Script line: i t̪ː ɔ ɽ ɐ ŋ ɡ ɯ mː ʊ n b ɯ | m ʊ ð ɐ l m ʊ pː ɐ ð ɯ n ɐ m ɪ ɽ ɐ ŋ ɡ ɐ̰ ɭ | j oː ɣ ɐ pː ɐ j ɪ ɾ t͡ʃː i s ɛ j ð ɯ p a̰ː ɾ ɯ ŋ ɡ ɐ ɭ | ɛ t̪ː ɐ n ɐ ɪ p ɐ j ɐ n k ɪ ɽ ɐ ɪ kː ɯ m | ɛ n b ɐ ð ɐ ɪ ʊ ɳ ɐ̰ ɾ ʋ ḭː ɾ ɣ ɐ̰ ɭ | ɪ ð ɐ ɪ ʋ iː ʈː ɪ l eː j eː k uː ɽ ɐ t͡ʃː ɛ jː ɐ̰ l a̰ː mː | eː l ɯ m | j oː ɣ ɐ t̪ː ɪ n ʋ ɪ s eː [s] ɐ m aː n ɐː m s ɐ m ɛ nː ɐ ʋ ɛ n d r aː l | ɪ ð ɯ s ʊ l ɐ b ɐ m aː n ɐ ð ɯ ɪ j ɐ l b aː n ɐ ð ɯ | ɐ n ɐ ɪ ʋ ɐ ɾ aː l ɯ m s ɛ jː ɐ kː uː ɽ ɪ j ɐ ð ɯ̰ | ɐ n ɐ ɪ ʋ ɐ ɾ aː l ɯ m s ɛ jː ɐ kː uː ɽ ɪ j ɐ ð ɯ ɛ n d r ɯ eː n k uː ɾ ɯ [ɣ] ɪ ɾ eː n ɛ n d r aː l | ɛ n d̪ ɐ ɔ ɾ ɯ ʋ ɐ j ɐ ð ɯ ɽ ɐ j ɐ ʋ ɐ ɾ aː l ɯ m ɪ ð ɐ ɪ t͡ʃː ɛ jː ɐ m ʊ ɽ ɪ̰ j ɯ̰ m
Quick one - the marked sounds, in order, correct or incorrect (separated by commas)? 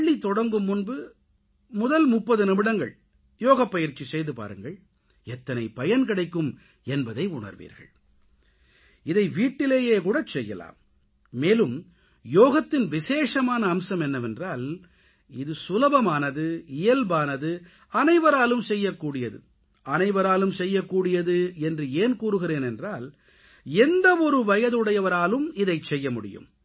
incorrect, correct